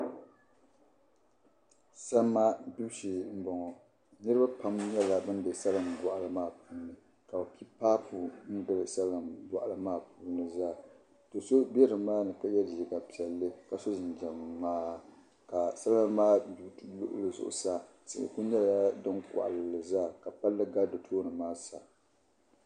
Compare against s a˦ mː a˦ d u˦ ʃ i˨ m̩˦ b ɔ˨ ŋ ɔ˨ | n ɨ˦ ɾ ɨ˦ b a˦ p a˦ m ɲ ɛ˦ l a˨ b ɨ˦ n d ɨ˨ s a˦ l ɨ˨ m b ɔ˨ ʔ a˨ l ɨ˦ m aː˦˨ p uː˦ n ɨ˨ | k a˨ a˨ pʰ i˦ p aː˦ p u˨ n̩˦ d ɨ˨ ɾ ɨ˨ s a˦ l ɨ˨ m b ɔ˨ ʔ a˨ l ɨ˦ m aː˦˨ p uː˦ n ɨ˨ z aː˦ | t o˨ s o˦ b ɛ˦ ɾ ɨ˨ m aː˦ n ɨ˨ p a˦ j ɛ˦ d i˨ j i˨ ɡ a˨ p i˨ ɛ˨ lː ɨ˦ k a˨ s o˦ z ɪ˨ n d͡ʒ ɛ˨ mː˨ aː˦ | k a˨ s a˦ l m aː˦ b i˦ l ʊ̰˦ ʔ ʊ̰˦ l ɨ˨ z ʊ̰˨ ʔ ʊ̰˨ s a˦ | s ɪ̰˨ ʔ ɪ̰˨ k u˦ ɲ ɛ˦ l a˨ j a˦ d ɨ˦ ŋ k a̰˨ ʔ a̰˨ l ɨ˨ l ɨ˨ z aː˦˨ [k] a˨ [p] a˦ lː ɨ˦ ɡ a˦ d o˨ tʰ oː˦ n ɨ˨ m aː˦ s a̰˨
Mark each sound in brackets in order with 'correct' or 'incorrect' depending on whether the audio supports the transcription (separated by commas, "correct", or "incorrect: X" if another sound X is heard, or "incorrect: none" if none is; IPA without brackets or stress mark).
correct, correct